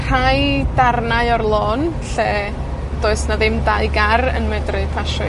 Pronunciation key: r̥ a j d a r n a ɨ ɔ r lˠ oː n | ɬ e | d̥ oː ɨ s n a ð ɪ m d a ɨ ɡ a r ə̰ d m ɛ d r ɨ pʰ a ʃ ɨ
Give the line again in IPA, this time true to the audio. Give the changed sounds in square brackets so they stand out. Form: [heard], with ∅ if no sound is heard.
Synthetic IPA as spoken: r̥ a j d a r n a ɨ ɔ r lˠ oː n | ɬ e | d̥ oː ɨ s n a ð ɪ m d a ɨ ɡ a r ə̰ [n] m ɛ d r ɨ pʰ a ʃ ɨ